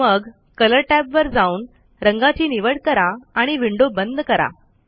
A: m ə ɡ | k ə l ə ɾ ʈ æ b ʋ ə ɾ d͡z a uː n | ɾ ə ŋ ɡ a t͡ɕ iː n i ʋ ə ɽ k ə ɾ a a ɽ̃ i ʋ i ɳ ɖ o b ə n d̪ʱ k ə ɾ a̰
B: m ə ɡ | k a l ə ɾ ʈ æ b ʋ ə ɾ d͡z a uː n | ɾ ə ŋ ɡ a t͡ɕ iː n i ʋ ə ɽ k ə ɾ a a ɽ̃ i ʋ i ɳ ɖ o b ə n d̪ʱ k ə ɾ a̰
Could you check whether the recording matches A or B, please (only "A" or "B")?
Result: A